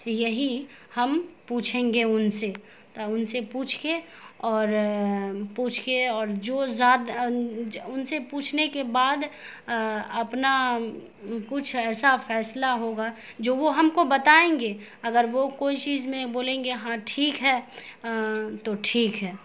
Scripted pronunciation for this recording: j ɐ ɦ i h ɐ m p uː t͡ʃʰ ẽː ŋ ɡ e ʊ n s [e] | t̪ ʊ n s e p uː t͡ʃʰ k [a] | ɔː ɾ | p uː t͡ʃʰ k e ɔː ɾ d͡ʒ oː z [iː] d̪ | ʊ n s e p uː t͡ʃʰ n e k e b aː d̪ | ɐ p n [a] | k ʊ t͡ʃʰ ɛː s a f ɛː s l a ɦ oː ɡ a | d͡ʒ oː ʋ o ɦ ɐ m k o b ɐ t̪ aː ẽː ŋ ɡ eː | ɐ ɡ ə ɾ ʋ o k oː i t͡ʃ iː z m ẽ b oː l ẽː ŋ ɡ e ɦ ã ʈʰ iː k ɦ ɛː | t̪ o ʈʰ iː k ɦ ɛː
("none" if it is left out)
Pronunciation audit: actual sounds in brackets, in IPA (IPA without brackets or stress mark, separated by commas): e, e, aː, a